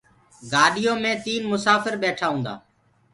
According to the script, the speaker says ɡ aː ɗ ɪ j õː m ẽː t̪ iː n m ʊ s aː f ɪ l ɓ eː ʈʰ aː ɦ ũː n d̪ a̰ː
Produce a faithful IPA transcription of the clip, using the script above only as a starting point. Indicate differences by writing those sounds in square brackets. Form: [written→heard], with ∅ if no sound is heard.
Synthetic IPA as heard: ɡ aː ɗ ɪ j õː m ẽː t̪ iː n m ʊ s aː f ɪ [l→ɾ] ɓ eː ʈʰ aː ɦ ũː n d̪ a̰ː